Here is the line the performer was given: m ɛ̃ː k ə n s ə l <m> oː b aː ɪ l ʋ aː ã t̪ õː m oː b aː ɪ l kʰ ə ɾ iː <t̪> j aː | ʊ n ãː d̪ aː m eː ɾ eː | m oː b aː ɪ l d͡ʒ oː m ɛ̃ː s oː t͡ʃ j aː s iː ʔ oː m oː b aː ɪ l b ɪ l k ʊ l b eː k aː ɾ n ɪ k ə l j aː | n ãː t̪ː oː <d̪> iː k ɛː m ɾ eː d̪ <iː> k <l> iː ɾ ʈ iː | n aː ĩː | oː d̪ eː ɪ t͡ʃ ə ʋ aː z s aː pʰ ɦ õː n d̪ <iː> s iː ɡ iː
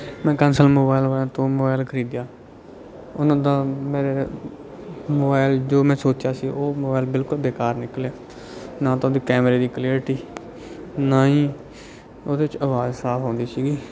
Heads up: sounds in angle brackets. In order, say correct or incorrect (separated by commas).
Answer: correct, incorrect, correct, correct, correct, correct